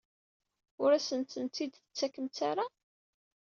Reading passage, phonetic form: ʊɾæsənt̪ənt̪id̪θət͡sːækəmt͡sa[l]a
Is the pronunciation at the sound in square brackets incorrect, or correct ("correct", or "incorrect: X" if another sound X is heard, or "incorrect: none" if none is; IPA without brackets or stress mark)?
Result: incorrect: ɾ